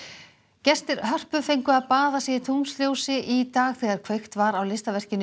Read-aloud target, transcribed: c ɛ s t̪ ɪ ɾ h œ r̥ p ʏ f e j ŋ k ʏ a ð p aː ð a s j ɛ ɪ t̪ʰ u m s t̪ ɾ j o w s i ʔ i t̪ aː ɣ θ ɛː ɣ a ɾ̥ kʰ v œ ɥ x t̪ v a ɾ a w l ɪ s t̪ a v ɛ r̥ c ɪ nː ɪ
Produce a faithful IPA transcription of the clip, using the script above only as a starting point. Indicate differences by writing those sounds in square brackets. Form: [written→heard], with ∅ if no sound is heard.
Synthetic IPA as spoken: c ɛ s t̪ ɪ ɾ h œ r̥ p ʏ f e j ŋ k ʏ a ð p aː ð a s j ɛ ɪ t̪ʰ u m s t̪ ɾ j o w s [i→ɪ] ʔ i t̪ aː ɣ θ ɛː ɣ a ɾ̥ kʰ v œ ɥ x t̪ v a ɾ a w l ɪ s t̪ a v ɛ r̥ c ɪ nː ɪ